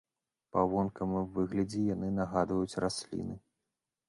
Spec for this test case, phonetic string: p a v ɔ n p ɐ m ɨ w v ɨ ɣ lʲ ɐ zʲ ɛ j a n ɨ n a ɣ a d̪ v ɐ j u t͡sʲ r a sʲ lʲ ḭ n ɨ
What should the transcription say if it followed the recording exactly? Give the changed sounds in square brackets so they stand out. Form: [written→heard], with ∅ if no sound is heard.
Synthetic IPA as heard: p a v ɔ n [p→k] ɐ m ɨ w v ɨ ɣ lʲ ɐ [zʲ→d͡zʲ] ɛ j a n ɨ n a ɣ a d̪ v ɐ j u t͡sʲ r a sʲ lʲ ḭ n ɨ